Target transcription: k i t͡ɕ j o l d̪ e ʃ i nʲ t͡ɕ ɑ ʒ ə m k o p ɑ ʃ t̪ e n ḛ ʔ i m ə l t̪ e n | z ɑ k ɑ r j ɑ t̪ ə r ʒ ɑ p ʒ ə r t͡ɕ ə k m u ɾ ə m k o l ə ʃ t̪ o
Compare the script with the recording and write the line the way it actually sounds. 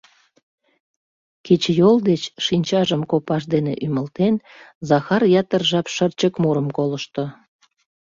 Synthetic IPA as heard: k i t͡ɕ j o l d̪ e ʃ i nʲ t͡ɕ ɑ ʒ ə m k o p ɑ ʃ d̪ e n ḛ ʔ y m ə l t̪ e n | z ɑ x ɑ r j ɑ t̪ ə r ʒ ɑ p ʃ ə r t͡ɕ ə k m u ɾ ə m k o l ə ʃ t̪ o